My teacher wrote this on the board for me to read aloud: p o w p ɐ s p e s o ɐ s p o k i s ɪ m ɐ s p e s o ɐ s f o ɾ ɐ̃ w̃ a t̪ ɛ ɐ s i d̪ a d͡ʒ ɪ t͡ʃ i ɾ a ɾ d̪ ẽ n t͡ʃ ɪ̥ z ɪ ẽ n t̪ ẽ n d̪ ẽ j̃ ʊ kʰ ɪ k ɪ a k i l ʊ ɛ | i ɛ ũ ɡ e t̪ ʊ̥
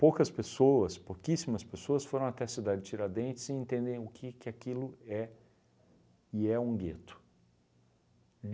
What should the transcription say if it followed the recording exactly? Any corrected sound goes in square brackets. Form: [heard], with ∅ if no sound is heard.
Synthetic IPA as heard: p o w [k] ɐ s p e s o ɐ s p o k i s [i] m ɐ s p e s o ɐ s f o ɾ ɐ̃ w̃ a t̪ ɛ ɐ s i d̪ a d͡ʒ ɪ t͡ʃ i ɾ a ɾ d̪ ẽ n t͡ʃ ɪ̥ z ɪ ẽ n t̪ ẽ n d̪ ẽ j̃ ʊ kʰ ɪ k ɪ a k i l ʊ ɛ | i ɛ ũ ɡ e t̪ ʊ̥